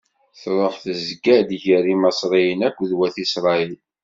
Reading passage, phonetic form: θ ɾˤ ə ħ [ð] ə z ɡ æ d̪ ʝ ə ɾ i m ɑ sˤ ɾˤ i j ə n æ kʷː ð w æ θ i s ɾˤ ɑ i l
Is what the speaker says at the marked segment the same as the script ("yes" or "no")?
no